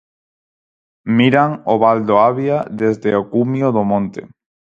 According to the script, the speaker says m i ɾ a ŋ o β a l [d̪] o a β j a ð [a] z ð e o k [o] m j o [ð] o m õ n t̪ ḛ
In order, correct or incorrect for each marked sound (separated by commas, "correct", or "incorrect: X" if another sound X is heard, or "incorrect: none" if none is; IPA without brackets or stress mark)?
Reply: correct, incorrect: e, incorrect: u, correct